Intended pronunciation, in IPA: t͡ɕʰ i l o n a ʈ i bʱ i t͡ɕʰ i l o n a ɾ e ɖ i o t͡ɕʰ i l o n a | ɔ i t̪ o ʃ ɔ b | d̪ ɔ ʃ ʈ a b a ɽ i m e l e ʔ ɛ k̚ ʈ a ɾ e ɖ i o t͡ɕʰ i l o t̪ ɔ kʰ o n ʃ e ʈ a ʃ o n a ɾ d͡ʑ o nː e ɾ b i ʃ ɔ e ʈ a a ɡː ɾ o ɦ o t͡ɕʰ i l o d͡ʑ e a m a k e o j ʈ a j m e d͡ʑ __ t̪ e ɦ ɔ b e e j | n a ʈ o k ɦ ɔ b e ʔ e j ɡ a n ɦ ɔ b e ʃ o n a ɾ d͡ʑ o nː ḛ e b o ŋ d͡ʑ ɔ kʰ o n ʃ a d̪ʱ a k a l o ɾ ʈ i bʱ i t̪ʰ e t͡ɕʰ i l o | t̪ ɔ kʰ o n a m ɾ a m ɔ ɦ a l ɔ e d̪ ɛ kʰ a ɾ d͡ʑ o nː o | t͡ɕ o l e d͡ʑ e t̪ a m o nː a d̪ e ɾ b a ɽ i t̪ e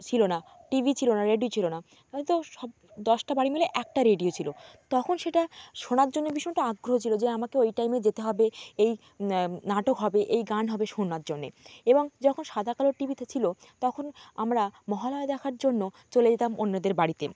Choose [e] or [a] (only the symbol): e